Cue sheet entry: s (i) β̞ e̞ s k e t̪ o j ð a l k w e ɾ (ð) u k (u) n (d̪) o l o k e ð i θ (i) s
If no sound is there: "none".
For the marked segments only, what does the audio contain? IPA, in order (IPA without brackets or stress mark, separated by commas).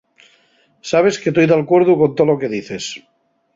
a, ð, o, t̪, e